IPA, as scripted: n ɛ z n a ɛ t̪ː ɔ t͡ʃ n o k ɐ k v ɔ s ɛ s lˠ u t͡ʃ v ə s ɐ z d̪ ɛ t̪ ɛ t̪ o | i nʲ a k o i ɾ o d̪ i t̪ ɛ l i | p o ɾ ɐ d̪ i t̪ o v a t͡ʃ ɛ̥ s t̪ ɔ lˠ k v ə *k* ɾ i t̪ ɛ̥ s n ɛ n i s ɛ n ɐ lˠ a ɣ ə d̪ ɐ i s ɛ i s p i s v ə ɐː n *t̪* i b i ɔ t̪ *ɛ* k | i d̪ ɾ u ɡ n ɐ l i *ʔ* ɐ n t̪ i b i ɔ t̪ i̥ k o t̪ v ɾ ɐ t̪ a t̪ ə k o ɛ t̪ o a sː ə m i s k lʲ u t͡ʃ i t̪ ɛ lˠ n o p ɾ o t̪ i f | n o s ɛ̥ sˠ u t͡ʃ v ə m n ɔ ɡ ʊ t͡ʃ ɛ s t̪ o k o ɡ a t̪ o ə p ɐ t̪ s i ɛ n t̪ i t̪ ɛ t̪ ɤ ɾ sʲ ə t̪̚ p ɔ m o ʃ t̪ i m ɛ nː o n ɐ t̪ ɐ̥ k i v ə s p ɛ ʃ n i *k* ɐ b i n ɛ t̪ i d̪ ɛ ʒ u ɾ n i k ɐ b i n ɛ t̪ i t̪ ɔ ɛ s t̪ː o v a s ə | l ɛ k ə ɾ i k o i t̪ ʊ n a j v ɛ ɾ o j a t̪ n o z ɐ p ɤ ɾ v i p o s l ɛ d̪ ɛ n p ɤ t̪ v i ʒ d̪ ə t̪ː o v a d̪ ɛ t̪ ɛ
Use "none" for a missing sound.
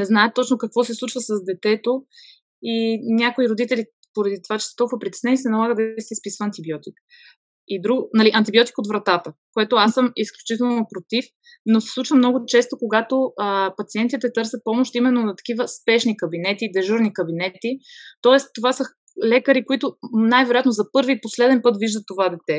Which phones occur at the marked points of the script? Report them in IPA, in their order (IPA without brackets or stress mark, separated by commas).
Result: p, t̪, i, ʔ, k